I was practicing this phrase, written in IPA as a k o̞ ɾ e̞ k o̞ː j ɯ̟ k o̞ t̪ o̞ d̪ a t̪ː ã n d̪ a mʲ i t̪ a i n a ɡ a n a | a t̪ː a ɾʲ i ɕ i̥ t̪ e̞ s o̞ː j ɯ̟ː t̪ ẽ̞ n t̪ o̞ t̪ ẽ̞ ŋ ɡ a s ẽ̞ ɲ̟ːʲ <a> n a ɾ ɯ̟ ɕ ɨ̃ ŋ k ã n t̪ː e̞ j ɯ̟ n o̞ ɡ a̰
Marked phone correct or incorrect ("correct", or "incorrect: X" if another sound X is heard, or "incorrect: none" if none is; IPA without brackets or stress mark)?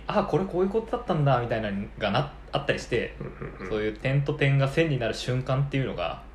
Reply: incorrect: i